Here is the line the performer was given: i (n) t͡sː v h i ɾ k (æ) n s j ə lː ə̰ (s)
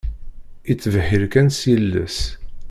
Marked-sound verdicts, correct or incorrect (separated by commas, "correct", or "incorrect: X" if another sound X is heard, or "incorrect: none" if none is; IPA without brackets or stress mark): incorrect: none, correct, correct